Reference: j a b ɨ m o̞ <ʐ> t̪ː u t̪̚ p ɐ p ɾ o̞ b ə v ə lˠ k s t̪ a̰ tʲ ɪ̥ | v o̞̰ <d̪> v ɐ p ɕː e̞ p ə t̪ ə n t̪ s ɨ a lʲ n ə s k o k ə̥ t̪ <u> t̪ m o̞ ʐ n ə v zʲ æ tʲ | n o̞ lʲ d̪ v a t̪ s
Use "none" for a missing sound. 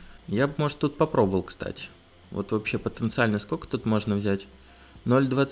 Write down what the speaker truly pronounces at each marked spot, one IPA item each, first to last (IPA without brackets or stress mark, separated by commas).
ʐ, t̪, u